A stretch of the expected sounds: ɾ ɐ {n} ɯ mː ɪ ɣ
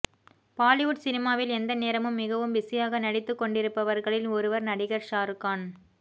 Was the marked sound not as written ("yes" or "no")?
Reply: yes